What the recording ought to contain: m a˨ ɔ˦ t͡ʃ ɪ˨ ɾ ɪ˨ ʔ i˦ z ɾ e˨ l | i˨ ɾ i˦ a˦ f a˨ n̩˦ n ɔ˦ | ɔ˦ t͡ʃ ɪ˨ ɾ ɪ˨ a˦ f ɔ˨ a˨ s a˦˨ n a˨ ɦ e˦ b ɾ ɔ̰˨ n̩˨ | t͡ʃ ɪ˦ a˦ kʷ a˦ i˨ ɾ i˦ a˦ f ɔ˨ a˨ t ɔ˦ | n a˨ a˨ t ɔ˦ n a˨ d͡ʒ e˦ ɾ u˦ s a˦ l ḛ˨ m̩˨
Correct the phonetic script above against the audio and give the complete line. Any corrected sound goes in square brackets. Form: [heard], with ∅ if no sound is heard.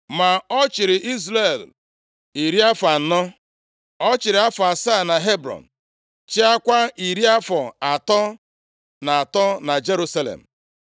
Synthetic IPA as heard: m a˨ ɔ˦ t͡ʃ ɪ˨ ɾ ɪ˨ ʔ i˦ z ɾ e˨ l | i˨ ɾ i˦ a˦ f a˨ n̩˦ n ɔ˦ | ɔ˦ t͡ʃ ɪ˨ ɾ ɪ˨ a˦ f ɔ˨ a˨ s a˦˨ n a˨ ɦ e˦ b ɾ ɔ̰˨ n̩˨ | t͡ʃ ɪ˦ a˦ kʷ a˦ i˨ ɾ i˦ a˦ f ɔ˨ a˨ t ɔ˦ | n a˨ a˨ t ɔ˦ n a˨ d͡ʒ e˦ ɾ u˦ s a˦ l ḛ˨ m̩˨